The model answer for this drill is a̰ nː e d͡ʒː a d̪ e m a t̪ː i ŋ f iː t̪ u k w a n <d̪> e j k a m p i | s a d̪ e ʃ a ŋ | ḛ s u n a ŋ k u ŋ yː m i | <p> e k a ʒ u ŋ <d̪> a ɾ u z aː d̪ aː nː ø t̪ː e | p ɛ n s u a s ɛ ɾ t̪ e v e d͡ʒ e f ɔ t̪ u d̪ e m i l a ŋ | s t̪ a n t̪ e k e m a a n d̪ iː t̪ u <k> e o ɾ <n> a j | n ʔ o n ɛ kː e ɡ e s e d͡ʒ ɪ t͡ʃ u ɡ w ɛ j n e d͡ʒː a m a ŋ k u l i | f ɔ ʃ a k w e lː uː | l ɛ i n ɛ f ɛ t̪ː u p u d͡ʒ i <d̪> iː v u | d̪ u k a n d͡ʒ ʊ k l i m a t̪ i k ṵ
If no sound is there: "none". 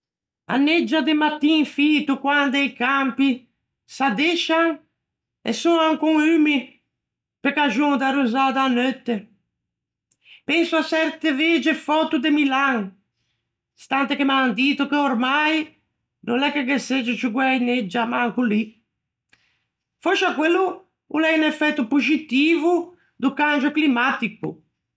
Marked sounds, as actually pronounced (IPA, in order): d̪, p, d̪, k, m, t̪

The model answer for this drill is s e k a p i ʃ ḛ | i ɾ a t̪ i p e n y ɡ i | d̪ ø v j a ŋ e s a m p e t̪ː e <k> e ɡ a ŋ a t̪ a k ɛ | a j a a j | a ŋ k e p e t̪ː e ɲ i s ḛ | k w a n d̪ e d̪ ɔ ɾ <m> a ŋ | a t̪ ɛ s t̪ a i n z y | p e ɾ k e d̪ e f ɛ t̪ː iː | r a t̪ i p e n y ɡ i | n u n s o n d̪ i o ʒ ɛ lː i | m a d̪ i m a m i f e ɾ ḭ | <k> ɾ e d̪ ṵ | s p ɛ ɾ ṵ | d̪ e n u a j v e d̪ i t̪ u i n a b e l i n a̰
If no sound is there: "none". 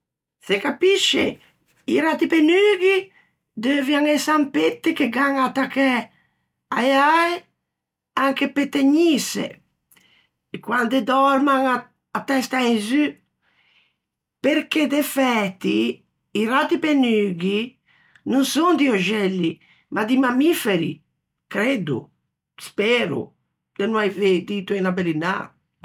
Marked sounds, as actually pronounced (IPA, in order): k, m, k

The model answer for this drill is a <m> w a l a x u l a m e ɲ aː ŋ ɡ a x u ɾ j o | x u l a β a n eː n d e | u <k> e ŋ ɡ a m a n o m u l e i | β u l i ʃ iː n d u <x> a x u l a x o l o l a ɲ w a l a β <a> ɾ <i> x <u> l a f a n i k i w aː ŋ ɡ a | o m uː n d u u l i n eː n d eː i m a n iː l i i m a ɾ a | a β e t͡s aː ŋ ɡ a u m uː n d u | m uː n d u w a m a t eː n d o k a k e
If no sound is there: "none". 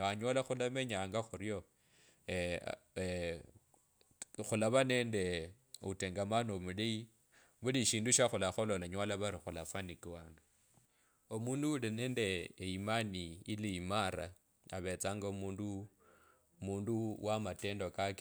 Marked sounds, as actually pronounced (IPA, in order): ɲ, t, ʃ, a, i, u

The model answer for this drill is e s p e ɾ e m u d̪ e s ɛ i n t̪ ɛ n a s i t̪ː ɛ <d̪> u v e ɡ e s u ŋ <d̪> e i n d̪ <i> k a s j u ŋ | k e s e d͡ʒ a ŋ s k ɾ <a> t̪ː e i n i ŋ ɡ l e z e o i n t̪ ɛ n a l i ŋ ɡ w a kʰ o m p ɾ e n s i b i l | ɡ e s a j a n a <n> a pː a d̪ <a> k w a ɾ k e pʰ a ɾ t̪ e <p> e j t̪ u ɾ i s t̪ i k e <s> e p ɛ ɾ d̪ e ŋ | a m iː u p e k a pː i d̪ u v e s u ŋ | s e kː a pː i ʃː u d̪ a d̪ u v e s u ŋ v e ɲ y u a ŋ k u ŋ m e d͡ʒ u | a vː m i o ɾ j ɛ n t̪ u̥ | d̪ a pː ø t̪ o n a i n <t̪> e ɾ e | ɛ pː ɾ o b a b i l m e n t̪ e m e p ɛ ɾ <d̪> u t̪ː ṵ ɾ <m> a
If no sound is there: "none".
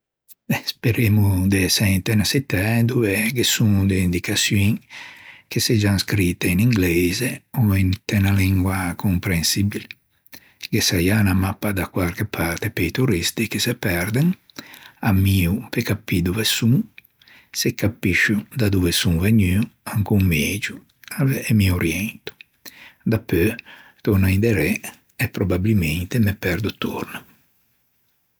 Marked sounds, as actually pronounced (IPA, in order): d̪, d̪, i, i, m, a, p, s, d̪, d̪, n

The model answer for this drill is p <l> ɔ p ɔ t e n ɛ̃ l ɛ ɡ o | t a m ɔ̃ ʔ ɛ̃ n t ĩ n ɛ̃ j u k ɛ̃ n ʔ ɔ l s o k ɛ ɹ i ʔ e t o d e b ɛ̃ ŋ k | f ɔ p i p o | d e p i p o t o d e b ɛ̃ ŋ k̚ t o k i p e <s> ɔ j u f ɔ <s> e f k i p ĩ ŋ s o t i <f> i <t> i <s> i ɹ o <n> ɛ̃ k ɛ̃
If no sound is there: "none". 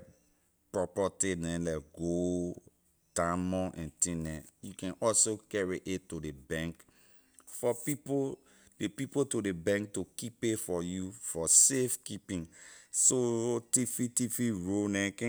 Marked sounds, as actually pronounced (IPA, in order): ɹ, f, s, f, t, f, n

